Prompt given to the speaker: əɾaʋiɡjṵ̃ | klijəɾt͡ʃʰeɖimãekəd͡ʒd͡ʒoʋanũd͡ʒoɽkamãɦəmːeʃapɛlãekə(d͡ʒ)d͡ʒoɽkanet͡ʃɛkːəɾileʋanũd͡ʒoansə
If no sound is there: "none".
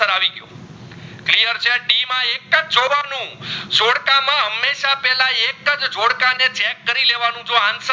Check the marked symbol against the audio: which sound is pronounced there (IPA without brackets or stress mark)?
d͡ʒ